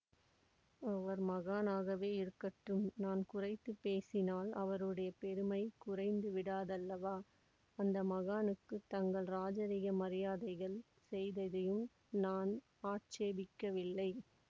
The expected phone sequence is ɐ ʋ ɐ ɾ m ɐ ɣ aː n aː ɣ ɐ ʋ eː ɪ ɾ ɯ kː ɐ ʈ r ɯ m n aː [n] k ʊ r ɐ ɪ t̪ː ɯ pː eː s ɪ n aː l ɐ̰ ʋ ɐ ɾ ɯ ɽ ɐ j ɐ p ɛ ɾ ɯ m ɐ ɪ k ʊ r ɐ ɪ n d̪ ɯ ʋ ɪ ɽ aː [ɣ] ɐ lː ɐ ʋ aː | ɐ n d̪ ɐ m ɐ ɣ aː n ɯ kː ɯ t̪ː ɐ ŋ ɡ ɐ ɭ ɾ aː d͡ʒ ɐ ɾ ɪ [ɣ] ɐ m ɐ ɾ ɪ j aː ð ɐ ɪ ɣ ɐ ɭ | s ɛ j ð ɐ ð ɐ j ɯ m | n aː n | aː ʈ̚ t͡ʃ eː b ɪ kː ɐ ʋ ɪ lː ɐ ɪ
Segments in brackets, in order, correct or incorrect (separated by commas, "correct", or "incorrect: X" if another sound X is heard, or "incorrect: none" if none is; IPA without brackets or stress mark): correct, incorrect: ð, correct